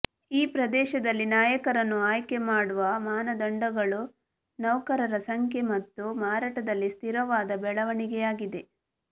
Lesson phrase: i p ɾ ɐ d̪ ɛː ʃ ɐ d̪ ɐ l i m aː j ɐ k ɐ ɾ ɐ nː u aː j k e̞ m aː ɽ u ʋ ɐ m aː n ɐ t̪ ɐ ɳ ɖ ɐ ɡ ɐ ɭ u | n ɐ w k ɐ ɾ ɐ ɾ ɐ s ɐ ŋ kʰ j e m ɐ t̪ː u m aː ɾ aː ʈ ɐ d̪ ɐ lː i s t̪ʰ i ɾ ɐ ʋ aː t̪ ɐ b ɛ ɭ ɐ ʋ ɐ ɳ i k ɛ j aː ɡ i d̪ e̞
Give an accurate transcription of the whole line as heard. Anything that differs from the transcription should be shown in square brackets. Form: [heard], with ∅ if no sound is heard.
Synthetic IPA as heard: [iː] p ɾ ɐ d̪ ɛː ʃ ɐ d̪ ɐ [lː] i [n] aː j ɐ k ɐ ɾ ɐ nː u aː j k e̞ m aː ɽ u ʋ ɐ m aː n ɐ [d̪] ɐ ɳ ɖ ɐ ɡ ɐ ɭ u | n ɐ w k ɐ ɾ ɐ ɾ ɐ s ɐ ŋ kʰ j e m ɐ t̪ː u m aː ɾ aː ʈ ɐ d̪ ɐ lː i s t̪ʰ i ɾ ɐ ʋ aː [d̪] ɐ b ɛ ɭ ɐ ʋ ɐ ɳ i [ɡ] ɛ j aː ɡ i d̪ e̞